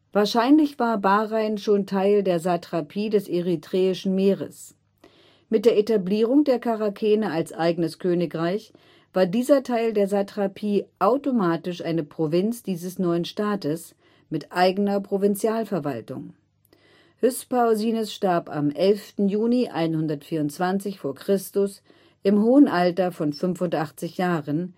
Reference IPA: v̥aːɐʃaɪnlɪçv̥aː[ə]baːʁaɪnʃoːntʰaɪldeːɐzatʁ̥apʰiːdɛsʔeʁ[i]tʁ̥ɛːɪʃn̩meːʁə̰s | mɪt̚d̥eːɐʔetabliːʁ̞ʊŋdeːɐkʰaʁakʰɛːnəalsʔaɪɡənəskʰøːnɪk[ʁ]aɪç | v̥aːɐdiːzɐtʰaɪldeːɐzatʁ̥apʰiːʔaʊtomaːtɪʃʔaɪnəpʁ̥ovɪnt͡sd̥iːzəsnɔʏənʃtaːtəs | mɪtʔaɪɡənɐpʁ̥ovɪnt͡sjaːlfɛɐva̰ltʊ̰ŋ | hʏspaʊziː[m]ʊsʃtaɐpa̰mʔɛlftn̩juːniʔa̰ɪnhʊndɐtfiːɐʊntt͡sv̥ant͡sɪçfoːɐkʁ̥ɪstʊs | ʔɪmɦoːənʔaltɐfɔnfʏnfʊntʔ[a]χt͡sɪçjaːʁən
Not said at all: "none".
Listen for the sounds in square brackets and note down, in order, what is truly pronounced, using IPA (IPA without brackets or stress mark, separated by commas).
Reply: ɐ, i, ʁ, n, a